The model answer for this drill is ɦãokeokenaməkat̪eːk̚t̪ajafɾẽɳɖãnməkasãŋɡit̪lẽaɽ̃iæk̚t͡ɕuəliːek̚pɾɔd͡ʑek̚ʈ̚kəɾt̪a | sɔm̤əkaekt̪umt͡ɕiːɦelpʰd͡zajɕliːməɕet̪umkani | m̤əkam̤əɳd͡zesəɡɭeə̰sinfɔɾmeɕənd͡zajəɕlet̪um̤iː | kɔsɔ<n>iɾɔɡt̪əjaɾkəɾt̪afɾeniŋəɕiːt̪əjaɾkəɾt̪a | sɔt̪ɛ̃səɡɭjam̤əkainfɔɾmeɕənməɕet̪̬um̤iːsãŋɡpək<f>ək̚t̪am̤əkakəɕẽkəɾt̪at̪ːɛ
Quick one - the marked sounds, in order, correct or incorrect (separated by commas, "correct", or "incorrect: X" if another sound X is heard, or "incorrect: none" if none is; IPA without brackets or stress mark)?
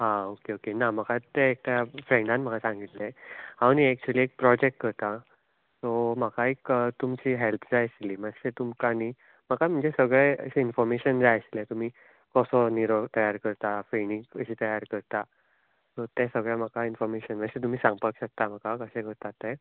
correct, incorrect: ɕ